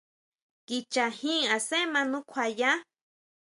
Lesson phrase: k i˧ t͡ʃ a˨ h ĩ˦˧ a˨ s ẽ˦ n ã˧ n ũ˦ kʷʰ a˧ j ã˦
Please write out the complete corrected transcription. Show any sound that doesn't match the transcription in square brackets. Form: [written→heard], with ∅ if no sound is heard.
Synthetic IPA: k i˧ t͡ʃ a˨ h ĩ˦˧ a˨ s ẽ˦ [n→m] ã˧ n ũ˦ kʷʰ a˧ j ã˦